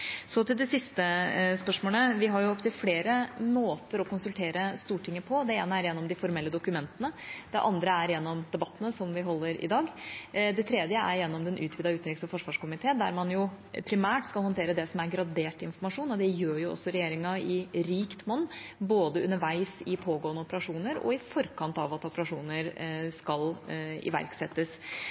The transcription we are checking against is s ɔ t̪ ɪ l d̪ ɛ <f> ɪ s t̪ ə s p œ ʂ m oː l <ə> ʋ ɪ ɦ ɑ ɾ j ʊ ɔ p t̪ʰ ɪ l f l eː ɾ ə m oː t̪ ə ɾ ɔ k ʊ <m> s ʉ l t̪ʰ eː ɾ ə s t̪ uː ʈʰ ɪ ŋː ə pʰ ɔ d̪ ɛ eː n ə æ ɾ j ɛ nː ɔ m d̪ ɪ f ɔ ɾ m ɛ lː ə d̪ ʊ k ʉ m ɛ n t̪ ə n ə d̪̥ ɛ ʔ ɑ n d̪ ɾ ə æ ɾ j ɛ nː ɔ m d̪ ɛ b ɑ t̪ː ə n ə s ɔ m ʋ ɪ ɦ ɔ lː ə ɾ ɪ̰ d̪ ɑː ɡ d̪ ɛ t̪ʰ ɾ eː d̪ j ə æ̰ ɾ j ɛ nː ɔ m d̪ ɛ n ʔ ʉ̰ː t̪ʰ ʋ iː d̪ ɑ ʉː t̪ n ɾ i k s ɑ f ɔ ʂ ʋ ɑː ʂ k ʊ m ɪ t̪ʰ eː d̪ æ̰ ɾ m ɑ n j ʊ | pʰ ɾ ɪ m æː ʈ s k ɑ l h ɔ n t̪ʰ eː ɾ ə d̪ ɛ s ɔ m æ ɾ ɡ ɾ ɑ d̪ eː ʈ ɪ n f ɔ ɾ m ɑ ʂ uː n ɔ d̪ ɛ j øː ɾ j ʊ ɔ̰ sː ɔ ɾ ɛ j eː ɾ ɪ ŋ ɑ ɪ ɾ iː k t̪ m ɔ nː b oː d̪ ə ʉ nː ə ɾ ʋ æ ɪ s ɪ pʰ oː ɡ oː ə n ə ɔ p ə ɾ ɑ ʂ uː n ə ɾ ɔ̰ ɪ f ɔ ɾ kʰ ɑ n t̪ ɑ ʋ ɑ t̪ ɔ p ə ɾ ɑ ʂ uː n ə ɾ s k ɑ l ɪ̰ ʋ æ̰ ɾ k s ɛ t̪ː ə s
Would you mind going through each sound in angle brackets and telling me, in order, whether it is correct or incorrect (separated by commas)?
incorrect, correct, incorrect